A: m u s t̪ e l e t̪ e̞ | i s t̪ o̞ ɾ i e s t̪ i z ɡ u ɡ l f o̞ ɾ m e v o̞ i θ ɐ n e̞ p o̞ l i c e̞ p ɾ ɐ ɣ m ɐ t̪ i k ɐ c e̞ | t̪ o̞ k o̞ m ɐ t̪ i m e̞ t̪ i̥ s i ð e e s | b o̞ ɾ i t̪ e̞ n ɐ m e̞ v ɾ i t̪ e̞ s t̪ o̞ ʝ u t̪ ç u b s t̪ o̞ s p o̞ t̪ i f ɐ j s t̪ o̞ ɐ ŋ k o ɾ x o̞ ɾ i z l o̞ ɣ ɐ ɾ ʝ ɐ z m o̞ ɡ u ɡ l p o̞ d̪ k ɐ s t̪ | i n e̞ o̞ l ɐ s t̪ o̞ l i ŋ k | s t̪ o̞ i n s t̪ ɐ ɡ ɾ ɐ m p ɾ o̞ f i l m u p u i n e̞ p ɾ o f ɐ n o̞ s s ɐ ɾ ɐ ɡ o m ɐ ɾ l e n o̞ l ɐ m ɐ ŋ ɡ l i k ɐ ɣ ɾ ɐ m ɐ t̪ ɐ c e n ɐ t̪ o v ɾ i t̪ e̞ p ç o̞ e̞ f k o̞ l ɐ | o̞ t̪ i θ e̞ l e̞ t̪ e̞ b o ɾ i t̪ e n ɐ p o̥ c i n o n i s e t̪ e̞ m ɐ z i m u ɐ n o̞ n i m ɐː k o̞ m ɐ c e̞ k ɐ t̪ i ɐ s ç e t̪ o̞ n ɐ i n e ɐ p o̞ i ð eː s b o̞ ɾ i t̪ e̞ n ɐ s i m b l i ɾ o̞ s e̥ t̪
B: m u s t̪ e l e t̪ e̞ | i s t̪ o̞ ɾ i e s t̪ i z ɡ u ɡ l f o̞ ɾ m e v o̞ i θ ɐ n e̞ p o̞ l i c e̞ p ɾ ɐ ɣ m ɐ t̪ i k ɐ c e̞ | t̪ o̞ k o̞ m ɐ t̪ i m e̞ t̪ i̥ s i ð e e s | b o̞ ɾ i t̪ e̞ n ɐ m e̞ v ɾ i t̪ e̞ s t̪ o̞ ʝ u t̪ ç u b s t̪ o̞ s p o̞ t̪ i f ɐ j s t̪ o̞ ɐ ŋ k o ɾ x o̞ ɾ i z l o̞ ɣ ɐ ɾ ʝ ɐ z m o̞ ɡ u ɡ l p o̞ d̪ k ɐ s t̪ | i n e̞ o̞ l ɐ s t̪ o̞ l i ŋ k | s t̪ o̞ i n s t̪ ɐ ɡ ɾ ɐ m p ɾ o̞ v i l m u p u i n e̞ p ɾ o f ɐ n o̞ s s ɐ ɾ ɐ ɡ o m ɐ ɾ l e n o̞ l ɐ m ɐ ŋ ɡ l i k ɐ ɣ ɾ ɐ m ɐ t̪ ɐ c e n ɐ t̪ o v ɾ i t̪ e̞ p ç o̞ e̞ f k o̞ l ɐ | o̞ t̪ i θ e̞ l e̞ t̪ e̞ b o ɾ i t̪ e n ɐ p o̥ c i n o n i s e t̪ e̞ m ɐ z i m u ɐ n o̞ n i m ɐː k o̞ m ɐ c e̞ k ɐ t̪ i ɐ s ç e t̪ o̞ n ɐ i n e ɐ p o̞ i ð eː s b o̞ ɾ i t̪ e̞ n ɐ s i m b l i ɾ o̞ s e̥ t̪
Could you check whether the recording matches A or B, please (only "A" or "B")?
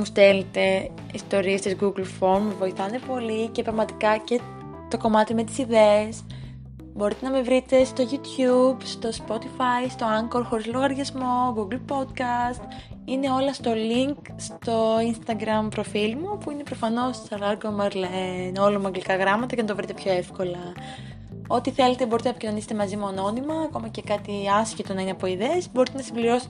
A